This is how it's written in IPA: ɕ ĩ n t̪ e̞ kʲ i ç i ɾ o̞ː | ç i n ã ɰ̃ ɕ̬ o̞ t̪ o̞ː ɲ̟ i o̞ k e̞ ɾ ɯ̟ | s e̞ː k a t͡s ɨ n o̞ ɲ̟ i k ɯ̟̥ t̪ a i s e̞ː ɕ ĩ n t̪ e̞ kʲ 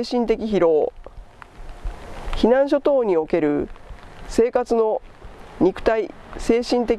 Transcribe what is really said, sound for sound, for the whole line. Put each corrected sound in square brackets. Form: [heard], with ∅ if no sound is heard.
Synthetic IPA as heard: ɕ ĩ n t̪ e̞ kʲ i ç i ɾ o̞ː | ç i n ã ɰ̃ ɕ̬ o̞ t̪ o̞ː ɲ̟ i o̞ k e̞ ɾ ɯ̟ | s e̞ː k a t͡s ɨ n o̞ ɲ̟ i k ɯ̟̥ t̪ a i s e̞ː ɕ ĩ n t̪ e̞ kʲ

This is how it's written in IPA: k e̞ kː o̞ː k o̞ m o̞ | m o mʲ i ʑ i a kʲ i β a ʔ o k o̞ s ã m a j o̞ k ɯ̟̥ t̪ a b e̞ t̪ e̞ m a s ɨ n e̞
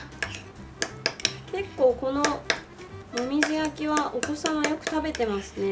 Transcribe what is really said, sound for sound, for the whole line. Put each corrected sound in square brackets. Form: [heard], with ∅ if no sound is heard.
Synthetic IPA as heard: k e̞ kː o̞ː k o̞ [n] o̞ | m o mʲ i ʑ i a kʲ i β a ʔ o k o̞ s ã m a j o̞ k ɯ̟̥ t̪ a b e̞ t̪ e̞ m a s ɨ n e̞

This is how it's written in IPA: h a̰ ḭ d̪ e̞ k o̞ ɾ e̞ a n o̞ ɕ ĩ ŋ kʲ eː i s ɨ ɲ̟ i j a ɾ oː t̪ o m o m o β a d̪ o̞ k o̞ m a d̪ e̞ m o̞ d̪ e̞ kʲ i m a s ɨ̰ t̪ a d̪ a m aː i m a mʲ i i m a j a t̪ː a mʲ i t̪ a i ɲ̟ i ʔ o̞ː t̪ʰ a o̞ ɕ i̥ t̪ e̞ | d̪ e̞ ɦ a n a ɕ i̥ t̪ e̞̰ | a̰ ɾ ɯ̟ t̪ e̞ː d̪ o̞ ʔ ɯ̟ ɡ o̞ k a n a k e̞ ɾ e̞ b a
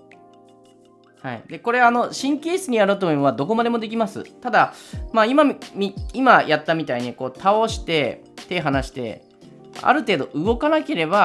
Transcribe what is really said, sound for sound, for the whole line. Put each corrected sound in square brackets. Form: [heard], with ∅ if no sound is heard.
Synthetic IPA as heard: h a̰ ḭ d̪ e̞ k o̞ ɾ e̞ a n o̞ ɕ ĩ ŋ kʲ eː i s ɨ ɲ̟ i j a ɾ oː t̪ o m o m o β a d̪ o̞ k o̞ m a d̪ e̞ m o̞ d̪ e̞ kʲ i m a s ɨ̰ t̪ a d̪ a m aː i m a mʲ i i m a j a t̪ː a mʲ i t̪ a i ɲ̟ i [k] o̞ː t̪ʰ a o̞ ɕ i̥ t̪ e̞ | [t̪] e̞ ɦ a n a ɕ i̥ t̪ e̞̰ | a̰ ɾ ɯ̟ t̪ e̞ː d̪ o̞ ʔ ɯ̟ ɡ o̞ k a n a k e̞ ɾ e̞ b a

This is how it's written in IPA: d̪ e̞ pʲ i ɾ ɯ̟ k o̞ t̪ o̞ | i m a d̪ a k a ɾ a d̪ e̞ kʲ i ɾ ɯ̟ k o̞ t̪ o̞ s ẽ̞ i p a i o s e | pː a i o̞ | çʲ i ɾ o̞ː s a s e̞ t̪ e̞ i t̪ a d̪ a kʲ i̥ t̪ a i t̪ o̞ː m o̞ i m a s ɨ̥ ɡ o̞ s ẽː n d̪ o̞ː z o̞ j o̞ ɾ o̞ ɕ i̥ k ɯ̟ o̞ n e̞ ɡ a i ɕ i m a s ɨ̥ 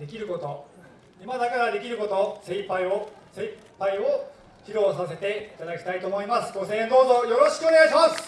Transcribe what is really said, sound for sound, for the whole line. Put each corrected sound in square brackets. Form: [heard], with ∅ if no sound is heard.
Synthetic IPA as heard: d̪ e̞ [kʲ] i ɾ ɯ̟ k o̞ t̪ o̞ | i m a d̪ a k a ɾ a d̪ e̞ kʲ i ɾ ɯ̟ k o̞ t̪ o̞ s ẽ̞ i p a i o s e | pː a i o̞ | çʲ i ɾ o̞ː s a s e̞ t̪ e̞ i t̪ a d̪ a kʲ i̥ t̪ a i t̪ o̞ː m o̞ i m a s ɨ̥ ɡ o̞ s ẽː n d̪ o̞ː z o̞ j o̞ ɾ o̞ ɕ i̥ k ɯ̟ o̞ n e̞ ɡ a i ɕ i m a s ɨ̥

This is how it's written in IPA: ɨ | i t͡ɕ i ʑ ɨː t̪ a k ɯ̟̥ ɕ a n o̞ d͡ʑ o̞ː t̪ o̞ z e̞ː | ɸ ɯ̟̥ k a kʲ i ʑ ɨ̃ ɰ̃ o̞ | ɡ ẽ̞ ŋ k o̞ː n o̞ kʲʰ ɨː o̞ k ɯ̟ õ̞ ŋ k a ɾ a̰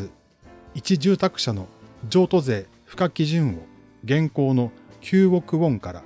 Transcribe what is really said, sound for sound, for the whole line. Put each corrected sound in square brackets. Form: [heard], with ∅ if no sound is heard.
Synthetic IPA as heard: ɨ | i t͡ɕ i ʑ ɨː t̪ a k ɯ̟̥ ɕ a n o̞ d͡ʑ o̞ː t̪ o̞ z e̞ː | ɸ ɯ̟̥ k a kʲ i ʑ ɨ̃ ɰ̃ o̞ | ɡ ẽ̞ ŋ k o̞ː n o̞ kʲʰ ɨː o̞ k ɯ̟ õ̞ ŋ k a ɾ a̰

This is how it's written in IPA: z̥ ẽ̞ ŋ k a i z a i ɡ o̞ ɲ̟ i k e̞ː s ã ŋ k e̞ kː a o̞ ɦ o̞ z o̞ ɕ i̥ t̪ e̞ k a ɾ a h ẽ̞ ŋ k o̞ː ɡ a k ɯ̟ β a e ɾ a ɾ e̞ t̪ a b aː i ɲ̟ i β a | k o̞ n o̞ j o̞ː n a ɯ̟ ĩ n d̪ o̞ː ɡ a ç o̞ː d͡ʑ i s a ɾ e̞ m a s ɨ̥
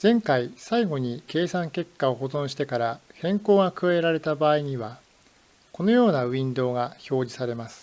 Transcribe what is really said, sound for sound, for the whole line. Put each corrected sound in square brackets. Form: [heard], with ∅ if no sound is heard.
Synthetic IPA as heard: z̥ ẽ̞ ŋ k a i [s] a i ɡ o̞ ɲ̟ i k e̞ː s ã ŋ k e̞ kː a o̞ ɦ o̞ z [õ̞] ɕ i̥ t̪ e̞ k a ɾ a h ẽ̞ ŋ k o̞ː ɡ a k ɯ̟ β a e ɾ a ɾ e̞ t̪ a b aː i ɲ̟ i β a | k o̞ n o̞ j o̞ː n a ɯ̟ ĩ n d̪ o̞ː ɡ a ç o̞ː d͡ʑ i s a ɾ e̞ m a s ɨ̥

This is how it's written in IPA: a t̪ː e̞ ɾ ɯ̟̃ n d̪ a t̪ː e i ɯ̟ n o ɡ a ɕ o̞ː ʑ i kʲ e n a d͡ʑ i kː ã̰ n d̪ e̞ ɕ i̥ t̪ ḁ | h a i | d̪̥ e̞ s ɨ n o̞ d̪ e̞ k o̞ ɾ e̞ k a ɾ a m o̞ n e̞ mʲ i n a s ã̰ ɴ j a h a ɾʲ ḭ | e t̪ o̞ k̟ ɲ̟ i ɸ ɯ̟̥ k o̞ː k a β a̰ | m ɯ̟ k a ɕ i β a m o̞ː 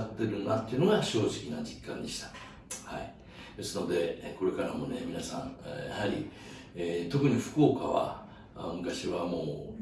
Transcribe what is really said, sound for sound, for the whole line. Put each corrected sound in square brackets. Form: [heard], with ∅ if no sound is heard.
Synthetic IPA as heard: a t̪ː e̞ ɾ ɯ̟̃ n d̪ a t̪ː e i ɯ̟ n o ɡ a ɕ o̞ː ʑ i kʲ [i] n a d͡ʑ i kː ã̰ n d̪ e̞ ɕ i̥ t̪ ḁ | h a i | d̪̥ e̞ s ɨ n o̞ d̪ e̞ k o̞ ɾ e̞ k a ɾ a m o̞ n e̞ mʲ i n a s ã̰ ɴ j a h a ɾʲ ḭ | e t̪ o̞ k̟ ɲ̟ i ɸ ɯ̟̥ k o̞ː k a β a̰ | m ɯ̟ k a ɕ i β a m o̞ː

